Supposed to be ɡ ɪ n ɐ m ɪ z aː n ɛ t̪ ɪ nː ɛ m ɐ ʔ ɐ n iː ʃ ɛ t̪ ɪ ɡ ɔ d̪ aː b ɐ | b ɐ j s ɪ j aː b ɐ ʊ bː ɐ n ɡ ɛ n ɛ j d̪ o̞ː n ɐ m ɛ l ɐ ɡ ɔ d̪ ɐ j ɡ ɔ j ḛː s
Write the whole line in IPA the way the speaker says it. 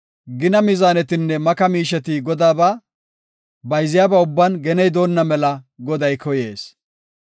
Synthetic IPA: ɡ ɪ n ɐ m ɪ z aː n ɛ t̪ ɪ nː ɛ m ɐ k ɐ m iː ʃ ɛ t̪ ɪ ɡ ɔ d̪ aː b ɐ | b ɐ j z ɪ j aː b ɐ ʊ bː ɐ n ɡ ɛ n ɛ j d̪ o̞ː nː ɐ m ɛ l ɐ ɡ ɔ d̪ ɐ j k ɔ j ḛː s